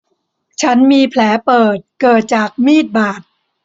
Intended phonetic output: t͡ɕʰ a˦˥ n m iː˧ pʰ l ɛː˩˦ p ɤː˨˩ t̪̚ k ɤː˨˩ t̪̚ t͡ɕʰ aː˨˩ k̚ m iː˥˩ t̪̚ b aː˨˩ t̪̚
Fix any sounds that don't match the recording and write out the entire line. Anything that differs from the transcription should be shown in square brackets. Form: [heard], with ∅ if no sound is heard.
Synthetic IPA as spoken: t͡ɕʰ a˦˥ n m iː˧ pʰ l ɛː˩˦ p ɤː˨˩ t̪̚ k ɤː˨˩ t̪̚ [t͡ɕ] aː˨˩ k̚ m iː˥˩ t̪̚ b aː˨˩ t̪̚